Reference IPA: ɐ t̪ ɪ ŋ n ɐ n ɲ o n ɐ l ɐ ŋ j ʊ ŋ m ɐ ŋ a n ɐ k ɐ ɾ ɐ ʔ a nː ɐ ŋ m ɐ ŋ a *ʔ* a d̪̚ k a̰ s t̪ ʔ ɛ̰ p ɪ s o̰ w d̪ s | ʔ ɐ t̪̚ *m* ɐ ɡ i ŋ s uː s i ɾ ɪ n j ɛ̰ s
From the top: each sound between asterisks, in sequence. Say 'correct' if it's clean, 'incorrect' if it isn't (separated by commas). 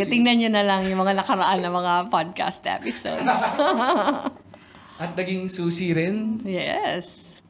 incorrect, incorrect